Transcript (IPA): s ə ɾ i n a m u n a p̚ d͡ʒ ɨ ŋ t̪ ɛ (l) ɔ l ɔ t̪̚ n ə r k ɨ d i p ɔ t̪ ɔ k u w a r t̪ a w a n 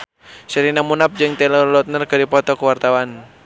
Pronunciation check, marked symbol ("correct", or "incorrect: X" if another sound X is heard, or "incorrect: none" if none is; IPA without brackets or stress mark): correct